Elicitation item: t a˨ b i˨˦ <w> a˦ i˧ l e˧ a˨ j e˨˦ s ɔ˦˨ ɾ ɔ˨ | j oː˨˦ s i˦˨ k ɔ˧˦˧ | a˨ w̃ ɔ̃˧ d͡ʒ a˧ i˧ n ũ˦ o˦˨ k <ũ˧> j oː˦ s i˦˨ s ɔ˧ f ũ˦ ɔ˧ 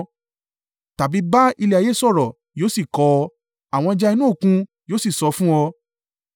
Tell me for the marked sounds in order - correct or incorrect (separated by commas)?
incorrect, correct